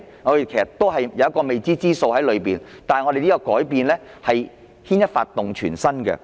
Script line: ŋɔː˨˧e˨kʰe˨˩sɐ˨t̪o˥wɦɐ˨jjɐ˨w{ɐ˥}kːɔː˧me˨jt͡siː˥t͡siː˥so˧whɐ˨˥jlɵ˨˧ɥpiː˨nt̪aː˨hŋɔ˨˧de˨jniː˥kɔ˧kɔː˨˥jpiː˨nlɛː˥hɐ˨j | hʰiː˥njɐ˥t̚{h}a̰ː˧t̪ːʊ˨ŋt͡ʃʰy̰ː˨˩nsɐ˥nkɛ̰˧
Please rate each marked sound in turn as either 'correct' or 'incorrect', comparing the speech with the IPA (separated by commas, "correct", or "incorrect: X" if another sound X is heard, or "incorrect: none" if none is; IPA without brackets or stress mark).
correct, incorrect: f